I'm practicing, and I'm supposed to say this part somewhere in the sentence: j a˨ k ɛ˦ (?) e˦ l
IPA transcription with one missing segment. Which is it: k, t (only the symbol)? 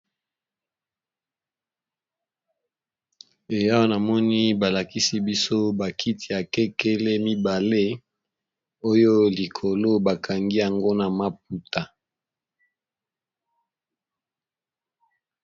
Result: k